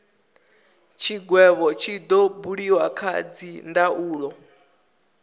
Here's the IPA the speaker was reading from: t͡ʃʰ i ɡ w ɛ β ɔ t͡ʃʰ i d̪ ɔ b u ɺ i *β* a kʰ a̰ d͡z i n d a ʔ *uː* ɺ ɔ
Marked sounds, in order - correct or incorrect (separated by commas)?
incorrect, correct